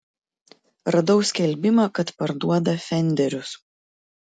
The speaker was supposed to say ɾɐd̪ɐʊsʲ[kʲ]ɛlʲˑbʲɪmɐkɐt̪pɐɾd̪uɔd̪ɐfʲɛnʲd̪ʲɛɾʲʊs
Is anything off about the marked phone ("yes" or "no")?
no